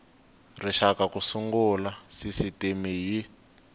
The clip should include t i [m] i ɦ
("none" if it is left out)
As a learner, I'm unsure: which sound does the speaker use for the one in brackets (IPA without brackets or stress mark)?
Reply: m